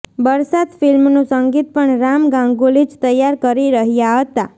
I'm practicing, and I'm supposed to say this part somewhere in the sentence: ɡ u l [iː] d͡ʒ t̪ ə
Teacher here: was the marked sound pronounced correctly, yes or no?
no